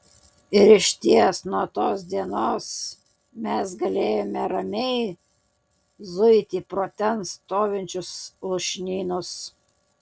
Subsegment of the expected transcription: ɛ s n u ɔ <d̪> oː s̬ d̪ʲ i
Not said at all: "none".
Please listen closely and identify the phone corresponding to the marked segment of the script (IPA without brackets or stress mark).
t̪